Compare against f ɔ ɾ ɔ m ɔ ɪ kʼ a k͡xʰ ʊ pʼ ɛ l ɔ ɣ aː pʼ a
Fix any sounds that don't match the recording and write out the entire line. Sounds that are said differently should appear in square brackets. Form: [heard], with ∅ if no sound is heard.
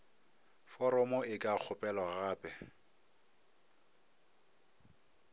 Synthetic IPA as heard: f ɔ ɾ ɔ m ɔ ɪ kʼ a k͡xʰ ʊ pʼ ɛ l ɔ ɣ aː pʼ [ɛ]